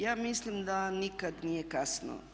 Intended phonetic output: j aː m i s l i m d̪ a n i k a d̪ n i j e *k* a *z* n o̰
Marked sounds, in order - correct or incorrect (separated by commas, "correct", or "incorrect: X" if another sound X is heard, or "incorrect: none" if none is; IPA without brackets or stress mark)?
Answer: correct, incorrect: s